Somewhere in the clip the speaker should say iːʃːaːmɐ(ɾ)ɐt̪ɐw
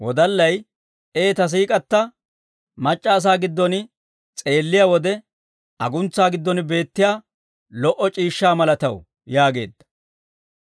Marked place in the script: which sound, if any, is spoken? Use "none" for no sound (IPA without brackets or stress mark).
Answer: l